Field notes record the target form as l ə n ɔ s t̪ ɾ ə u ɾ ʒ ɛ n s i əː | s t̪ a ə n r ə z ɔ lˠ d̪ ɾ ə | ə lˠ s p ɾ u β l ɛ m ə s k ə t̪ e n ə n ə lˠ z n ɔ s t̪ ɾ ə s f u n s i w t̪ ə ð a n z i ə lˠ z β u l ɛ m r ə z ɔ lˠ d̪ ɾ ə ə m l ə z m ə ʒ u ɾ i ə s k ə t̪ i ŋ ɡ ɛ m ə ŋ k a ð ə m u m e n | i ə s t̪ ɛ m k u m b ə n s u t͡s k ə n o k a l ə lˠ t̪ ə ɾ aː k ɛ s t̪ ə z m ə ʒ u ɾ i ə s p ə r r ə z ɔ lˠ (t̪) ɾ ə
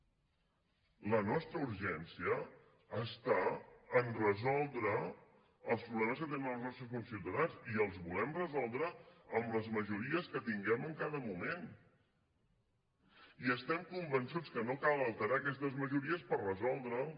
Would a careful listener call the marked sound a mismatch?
yes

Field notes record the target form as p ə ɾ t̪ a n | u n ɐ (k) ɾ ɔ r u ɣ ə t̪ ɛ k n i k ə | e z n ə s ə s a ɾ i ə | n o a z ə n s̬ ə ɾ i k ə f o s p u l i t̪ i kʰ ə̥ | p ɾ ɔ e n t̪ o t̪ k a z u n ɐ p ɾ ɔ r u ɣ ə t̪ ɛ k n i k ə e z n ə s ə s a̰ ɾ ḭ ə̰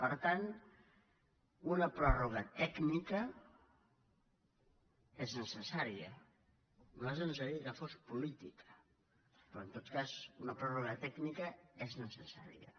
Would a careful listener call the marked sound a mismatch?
yes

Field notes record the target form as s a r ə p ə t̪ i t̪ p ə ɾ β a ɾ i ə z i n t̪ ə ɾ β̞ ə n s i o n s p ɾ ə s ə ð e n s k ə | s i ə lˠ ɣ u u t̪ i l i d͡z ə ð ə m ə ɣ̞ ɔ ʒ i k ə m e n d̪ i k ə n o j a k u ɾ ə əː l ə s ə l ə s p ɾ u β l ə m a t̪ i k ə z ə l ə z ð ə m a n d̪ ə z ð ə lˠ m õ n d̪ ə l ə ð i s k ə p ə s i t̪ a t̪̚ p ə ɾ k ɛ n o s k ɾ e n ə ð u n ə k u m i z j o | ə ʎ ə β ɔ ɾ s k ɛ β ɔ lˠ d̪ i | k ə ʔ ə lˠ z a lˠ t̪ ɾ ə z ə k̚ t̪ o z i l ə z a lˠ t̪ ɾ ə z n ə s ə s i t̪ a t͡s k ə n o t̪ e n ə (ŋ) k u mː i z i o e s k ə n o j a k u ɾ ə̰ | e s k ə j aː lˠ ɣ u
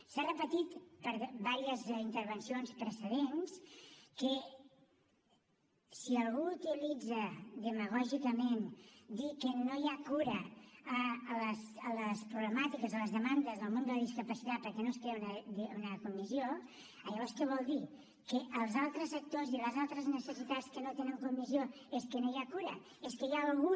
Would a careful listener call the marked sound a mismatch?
no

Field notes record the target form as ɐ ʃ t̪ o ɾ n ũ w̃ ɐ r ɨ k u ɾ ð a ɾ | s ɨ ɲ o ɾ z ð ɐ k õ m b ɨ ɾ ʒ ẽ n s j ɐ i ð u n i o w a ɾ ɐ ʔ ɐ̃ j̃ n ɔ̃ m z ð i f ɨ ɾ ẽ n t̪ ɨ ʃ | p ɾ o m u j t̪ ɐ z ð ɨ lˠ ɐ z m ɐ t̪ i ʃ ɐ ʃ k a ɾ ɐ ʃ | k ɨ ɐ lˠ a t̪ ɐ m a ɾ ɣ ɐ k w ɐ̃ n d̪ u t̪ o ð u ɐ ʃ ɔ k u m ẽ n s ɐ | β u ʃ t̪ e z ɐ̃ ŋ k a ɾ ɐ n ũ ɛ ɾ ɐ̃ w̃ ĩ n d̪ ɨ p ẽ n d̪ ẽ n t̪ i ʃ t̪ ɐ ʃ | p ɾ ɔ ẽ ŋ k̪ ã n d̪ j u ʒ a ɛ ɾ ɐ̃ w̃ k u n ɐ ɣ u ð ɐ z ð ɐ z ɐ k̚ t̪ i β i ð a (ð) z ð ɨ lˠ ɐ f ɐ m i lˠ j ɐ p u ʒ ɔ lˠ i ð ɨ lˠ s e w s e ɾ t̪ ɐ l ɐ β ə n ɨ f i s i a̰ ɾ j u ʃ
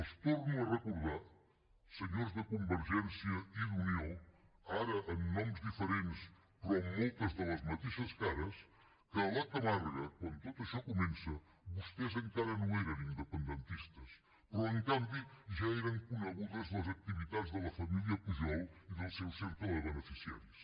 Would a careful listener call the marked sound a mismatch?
no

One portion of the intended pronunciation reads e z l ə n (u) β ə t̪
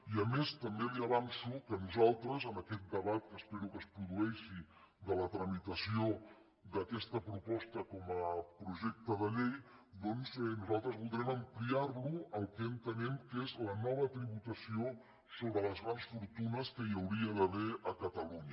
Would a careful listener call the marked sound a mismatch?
yes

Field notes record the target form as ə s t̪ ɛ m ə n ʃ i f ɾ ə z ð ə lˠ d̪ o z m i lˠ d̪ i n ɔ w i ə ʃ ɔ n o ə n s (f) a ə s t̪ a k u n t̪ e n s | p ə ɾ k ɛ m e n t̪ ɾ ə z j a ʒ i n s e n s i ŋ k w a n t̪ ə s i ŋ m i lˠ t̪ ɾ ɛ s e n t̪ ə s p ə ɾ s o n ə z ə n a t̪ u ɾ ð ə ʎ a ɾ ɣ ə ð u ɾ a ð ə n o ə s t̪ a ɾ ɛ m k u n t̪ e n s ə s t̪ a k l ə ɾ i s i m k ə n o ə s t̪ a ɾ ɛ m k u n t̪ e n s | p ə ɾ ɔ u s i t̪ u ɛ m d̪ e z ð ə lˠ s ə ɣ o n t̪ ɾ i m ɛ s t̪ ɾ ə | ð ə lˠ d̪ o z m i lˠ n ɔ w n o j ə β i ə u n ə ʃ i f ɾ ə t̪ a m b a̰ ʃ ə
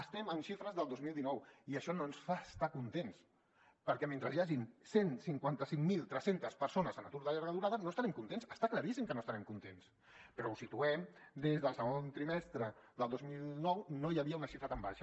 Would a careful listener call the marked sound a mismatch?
no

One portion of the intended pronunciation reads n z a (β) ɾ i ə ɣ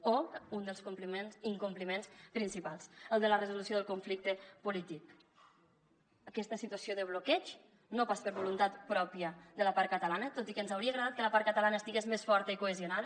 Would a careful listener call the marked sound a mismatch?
yes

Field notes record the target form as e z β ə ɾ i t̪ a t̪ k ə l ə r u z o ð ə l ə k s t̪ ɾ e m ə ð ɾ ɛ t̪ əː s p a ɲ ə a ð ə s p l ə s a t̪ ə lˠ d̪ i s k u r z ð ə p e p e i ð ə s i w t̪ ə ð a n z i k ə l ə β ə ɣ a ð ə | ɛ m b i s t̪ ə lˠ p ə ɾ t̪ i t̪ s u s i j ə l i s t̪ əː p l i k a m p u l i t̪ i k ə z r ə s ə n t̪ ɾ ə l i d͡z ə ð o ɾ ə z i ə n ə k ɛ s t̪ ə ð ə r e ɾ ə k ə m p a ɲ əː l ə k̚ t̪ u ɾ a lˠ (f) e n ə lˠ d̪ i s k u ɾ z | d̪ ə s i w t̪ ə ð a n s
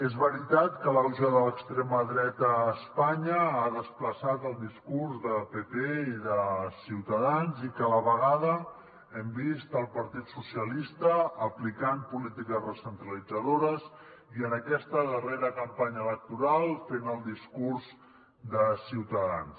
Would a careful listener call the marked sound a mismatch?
no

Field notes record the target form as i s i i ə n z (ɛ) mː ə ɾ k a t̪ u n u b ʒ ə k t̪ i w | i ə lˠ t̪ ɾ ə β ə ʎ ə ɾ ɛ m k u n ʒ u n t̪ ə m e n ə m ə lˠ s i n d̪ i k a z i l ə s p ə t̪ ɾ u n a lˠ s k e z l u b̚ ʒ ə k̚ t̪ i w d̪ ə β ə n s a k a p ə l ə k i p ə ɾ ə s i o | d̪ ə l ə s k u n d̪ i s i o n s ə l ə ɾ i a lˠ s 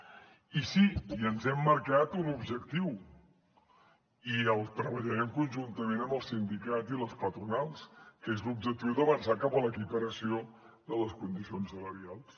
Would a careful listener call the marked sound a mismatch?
no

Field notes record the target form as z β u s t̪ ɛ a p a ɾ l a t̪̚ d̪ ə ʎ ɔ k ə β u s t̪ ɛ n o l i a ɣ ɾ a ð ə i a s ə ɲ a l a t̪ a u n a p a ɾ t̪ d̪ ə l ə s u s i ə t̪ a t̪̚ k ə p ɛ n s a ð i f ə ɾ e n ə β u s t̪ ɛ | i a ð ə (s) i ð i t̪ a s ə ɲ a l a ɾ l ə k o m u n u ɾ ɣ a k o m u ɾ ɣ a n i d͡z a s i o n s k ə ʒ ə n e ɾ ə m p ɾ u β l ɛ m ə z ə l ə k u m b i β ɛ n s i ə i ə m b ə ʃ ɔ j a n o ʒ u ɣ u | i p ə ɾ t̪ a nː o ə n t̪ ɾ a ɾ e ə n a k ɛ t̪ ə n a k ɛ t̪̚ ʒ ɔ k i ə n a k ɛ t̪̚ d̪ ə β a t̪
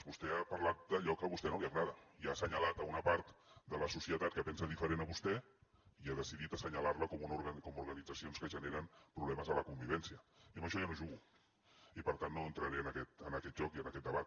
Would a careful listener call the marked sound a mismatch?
no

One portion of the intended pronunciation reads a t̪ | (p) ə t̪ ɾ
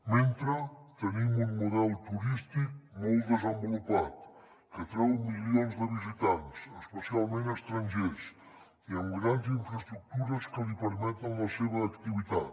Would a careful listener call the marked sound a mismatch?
yes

